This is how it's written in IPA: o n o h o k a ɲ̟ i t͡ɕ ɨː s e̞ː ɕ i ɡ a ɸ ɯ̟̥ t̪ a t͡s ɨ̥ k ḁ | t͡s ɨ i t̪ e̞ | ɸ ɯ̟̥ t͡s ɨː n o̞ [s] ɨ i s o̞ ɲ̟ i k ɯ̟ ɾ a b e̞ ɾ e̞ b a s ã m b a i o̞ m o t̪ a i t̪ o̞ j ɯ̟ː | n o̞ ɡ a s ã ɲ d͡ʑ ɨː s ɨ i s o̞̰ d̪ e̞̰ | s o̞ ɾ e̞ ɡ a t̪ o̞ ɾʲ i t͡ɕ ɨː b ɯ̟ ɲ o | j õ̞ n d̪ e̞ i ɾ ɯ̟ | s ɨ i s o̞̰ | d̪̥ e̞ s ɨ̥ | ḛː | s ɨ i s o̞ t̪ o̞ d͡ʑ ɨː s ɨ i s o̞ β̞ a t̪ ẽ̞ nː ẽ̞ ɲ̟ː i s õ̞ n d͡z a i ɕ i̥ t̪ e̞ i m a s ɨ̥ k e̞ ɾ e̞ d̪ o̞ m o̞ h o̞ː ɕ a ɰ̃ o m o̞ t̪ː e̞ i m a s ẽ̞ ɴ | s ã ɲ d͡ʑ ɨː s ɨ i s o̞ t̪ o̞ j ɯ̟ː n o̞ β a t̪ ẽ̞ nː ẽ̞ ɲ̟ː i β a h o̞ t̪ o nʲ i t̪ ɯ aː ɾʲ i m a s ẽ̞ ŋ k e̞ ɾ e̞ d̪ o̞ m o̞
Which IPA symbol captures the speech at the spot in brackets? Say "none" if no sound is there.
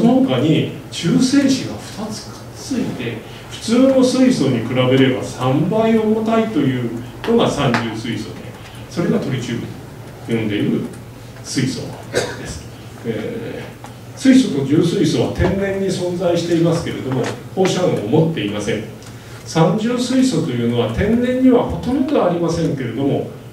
s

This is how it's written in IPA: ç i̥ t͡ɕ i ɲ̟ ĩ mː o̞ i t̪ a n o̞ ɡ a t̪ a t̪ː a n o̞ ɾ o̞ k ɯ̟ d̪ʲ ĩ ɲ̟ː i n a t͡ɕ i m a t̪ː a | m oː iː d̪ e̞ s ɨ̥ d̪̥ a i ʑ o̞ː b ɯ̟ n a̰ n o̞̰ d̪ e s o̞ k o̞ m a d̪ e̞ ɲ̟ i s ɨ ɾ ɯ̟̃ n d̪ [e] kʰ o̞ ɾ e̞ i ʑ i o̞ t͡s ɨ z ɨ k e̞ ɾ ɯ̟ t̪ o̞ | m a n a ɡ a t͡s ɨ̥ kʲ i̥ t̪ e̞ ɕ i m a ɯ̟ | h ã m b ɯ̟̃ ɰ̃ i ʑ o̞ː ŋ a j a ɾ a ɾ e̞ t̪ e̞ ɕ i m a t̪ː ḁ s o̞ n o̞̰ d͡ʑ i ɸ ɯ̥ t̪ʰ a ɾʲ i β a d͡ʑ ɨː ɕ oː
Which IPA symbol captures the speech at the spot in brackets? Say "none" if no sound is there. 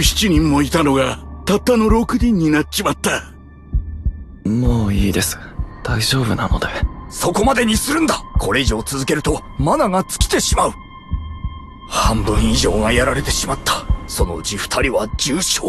a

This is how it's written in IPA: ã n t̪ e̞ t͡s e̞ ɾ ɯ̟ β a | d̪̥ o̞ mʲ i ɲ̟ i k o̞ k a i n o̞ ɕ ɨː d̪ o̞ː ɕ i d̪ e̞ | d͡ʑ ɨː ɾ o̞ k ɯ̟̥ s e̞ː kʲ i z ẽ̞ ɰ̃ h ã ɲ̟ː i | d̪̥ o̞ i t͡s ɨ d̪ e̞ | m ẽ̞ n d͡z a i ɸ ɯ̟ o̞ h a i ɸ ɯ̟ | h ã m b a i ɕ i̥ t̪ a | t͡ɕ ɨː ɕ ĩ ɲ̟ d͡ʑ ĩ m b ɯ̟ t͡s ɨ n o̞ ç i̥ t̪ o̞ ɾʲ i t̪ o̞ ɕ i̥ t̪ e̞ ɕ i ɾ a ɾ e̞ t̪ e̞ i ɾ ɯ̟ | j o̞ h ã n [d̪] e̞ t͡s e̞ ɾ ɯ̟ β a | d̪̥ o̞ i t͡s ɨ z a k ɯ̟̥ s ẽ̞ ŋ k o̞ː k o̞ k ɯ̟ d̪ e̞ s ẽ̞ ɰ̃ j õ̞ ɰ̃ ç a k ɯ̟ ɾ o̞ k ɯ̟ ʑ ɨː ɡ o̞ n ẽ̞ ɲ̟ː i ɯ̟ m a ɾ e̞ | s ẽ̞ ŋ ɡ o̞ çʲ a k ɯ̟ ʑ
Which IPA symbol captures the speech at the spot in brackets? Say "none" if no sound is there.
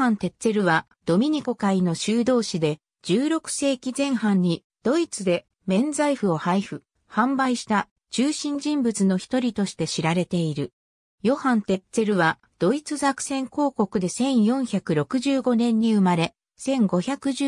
t̪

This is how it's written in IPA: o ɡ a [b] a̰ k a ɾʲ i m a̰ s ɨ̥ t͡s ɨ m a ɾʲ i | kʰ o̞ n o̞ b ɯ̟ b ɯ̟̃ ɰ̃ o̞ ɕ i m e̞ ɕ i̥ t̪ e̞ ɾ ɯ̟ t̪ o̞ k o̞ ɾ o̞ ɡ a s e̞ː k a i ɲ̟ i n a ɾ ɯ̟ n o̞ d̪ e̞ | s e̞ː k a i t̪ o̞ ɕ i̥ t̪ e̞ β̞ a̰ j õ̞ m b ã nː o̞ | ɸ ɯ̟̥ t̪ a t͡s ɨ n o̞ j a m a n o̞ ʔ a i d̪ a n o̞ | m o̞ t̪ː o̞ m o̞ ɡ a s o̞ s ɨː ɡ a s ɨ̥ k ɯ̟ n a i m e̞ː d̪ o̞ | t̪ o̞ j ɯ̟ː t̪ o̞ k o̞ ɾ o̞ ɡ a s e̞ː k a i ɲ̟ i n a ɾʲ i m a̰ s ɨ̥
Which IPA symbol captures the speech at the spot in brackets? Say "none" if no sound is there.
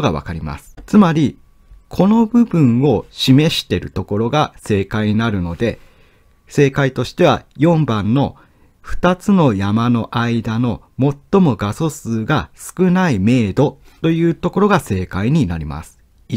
β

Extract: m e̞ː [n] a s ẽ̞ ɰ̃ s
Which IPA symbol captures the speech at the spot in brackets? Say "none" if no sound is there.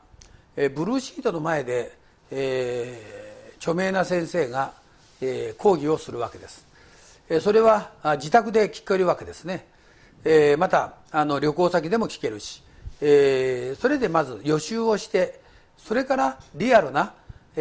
n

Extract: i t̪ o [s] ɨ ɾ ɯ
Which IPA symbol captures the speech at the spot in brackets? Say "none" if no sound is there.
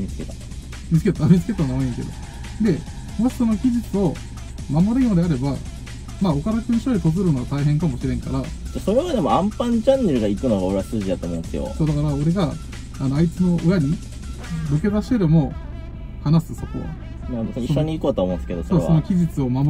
z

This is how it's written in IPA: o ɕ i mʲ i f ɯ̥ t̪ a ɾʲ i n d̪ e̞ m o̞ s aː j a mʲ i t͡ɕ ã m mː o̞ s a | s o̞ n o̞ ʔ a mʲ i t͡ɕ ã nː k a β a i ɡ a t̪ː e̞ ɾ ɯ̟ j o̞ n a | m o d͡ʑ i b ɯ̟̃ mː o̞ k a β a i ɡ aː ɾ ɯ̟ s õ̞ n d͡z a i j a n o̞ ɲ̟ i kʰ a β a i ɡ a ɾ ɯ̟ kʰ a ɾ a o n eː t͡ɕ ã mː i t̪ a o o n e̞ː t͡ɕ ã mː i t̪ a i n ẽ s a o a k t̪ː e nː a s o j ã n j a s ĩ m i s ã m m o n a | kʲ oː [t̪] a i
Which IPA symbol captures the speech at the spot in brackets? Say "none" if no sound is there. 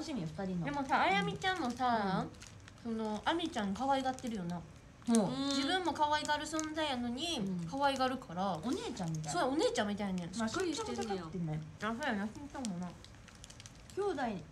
d̪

